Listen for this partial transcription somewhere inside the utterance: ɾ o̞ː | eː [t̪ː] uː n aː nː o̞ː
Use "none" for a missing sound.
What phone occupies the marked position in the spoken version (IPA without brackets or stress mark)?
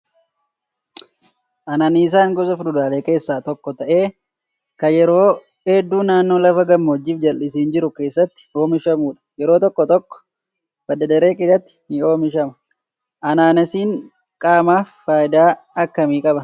d̪ː